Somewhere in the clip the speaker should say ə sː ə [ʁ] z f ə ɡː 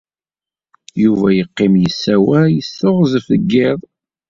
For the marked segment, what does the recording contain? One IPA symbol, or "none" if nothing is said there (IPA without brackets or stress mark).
ʁ